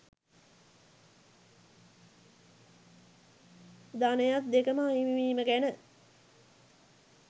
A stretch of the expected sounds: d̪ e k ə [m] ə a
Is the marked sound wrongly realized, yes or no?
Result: no